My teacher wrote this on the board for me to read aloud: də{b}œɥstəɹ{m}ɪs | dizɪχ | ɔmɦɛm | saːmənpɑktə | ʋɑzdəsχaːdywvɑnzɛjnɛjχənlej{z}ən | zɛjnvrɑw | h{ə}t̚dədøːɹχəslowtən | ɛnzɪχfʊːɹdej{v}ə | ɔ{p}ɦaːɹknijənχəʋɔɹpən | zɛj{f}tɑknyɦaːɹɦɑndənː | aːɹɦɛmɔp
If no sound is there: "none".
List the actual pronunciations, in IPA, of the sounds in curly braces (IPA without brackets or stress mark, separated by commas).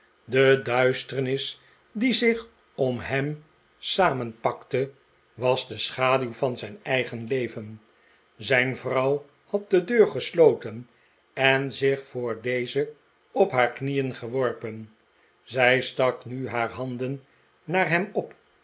d, n, v, ɑ, z, p, s